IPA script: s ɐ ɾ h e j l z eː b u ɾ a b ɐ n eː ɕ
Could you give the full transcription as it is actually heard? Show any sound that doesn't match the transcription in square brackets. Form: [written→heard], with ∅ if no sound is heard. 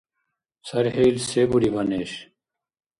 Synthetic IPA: s ɐ ɾ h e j l [z→s] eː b u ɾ [a→i] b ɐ n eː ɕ